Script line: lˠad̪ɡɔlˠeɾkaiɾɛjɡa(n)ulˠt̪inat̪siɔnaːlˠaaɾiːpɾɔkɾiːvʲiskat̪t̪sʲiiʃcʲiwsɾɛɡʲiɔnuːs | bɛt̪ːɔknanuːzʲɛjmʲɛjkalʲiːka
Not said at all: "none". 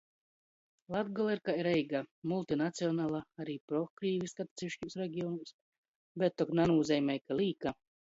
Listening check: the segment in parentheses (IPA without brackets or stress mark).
m